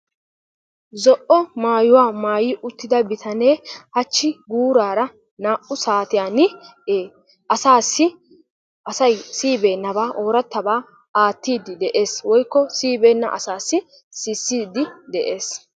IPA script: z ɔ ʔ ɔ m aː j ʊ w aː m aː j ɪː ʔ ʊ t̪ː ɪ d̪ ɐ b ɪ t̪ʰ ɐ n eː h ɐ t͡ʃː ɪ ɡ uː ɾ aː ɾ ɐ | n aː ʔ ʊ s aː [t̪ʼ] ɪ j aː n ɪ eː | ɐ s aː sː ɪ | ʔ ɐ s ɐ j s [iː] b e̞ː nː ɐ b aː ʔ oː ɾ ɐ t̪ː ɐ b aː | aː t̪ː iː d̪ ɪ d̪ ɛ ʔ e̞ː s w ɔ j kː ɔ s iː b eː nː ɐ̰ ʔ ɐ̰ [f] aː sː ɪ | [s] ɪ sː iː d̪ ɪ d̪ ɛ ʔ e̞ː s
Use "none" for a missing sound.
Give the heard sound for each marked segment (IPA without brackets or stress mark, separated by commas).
t̪, iː, s, s